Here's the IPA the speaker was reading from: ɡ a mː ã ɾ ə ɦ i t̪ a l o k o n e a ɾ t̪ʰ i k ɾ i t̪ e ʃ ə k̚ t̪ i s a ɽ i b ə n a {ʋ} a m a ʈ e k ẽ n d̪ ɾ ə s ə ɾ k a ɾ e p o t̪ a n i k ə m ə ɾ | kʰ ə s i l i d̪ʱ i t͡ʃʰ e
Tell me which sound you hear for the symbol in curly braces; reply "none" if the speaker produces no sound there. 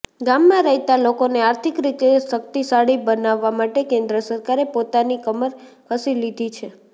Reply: ʋː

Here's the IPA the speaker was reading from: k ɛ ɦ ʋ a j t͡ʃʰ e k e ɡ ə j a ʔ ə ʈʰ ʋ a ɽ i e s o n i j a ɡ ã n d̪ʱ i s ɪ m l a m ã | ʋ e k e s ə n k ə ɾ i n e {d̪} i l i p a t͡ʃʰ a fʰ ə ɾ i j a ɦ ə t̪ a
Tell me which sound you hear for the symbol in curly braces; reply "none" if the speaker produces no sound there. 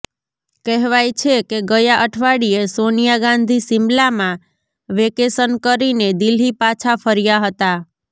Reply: d̪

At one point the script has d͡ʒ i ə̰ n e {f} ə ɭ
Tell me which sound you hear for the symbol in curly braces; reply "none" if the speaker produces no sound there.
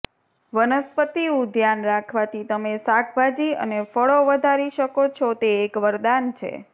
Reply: f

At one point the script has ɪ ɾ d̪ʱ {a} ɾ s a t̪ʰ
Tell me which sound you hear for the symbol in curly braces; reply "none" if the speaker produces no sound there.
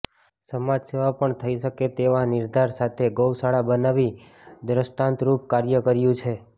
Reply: a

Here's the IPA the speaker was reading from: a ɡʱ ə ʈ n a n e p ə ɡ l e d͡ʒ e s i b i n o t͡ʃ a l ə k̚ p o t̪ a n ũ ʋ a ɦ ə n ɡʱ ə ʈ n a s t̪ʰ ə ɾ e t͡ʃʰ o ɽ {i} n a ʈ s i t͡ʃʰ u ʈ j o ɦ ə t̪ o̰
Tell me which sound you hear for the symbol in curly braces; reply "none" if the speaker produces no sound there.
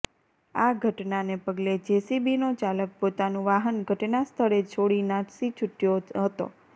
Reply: i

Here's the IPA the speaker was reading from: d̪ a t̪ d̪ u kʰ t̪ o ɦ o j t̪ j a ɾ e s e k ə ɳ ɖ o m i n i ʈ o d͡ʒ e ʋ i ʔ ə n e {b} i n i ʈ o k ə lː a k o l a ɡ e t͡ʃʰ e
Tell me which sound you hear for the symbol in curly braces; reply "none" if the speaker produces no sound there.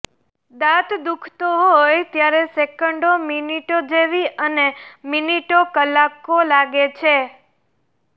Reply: m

